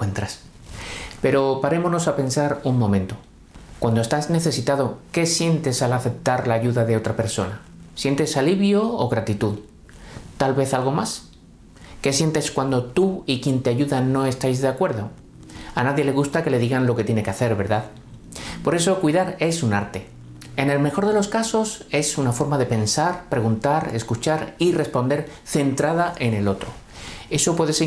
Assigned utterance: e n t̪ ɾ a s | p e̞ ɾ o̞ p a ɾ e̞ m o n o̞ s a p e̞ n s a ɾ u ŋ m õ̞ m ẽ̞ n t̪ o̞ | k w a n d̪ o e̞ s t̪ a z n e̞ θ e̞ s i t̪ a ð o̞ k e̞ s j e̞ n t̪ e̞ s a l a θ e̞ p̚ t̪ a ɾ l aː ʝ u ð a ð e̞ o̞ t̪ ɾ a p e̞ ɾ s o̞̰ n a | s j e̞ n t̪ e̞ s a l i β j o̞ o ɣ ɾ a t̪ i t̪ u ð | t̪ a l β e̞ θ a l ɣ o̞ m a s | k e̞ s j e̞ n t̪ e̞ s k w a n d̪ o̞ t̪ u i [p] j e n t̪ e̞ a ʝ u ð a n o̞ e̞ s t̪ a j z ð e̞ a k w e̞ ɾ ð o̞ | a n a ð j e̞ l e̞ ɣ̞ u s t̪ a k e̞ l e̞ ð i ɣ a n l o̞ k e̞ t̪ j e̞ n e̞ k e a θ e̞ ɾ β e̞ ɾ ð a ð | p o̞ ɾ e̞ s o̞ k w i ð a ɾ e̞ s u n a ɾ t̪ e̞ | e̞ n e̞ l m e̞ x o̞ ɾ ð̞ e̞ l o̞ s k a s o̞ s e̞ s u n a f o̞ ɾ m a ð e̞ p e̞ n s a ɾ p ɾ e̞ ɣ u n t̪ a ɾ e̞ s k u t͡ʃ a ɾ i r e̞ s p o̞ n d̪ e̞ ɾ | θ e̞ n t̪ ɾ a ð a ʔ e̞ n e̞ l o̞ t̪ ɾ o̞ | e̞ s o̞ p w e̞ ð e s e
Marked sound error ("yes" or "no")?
yes